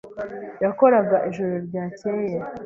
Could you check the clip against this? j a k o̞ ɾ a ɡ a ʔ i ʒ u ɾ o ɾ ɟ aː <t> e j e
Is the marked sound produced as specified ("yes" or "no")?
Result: no